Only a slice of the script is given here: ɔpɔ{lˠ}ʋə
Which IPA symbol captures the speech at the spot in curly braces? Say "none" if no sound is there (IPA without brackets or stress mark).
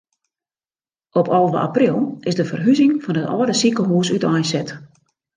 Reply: lˠ